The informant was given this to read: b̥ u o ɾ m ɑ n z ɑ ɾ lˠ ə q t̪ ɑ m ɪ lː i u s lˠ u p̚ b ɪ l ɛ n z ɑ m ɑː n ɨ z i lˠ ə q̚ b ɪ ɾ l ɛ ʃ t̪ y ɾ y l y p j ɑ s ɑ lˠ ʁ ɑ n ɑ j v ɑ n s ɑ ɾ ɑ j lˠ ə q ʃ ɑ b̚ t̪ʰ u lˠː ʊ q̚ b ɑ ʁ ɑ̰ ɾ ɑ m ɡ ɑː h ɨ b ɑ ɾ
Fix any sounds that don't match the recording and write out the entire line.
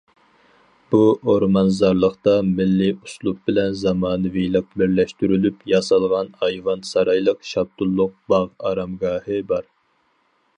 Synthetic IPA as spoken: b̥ u o ɾ m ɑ n z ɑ ɾ lˠ ə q t̪ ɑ m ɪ lː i u s lˠ u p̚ b ɪ l ɛ n z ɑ m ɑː n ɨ v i lˠ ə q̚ b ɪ ɾ l ɛ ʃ t̪ y ɾ y l y p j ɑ s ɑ lˠ ʁ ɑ n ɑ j v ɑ n s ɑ ɾ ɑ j lˠ ə q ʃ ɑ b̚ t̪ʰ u lˠː ʊ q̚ b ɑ ʁ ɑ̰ ɾ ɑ m ɡ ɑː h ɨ b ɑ ɾ